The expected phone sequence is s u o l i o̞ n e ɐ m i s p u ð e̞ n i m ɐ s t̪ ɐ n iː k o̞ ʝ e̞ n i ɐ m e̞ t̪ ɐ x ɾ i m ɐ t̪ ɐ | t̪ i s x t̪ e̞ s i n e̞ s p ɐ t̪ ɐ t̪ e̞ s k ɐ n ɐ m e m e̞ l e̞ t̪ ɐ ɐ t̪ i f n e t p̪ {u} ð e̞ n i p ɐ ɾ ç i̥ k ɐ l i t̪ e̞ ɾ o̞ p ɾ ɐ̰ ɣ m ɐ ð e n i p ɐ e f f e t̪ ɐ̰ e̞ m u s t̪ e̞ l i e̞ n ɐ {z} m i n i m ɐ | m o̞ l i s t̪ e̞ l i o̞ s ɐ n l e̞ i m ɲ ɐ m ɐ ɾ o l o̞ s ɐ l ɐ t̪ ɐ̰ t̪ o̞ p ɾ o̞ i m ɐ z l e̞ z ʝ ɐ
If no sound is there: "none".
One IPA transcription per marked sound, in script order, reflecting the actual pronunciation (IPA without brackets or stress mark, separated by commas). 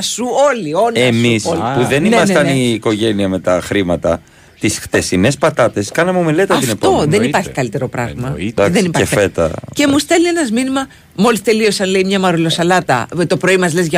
o, z